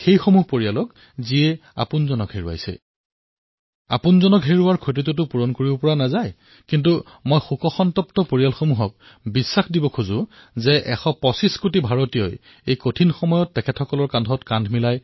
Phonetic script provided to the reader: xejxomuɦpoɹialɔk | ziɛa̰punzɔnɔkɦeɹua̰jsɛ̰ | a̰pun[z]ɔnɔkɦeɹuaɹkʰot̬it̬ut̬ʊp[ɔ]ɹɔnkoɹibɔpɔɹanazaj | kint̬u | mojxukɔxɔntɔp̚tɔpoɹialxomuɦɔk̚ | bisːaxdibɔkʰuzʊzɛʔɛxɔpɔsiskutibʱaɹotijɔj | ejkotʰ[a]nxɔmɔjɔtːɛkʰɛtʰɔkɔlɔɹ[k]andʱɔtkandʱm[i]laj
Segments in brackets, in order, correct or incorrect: correct, incorrect, incorrect, correct, correct

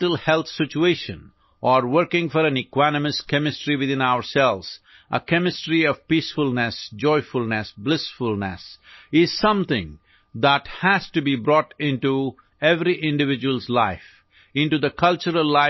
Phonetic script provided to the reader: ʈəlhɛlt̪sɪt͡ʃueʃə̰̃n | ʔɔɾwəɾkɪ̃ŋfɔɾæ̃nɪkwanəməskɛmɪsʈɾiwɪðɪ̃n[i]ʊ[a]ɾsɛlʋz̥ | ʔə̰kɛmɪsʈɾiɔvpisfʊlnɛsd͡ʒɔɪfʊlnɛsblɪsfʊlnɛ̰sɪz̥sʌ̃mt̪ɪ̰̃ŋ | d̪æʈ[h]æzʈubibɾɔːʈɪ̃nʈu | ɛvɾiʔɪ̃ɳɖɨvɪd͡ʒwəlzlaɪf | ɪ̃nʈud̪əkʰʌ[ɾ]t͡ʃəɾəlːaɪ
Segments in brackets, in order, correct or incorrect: incorrect, incorrect, correct, incorrect

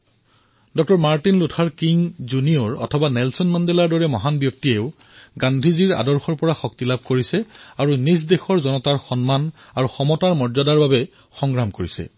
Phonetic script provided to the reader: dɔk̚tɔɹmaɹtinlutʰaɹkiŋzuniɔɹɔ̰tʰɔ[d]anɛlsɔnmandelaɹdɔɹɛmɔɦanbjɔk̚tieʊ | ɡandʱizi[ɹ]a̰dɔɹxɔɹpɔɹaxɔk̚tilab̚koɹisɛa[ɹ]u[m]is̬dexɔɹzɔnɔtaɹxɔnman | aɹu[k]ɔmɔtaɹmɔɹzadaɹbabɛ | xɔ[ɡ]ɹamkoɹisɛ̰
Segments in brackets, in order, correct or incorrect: incorrect, correct, correct, incorrect, incorrect, incorrect

